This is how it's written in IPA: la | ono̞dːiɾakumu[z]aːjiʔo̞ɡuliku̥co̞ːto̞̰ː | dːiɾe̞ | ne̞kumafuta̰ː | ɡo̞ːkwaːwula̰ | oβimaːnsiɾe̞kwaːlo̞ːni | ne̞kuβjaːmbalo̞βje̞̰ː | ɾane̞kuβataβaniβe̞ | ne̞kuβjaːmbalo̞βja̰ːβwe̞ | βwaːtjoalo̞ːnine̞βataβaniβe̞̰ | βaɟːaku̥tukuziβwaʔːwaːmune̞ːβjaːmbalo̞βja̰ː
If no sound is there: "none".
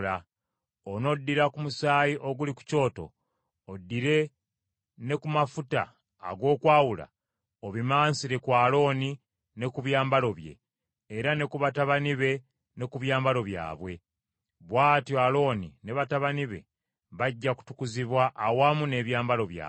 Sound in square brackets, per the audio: s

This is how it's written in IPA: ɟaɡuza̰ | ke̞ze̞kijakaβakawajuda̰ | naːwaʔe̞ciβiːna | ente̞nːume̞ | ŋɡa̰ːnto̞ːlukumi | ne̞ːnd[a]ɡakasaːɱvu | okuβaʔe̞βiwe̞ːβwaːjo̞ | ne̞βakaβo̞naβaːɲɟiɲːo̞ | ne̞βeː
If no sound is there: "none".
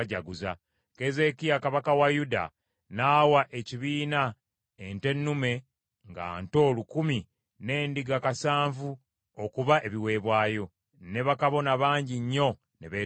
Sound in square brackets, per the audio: i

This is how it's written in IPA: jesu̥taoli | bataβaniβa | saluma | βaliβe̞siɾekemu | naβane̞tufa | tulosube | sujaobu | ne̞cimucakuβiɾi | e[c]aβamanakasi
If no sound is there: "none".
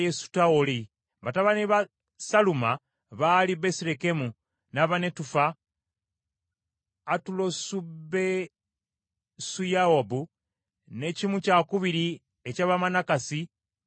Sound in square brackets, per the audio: c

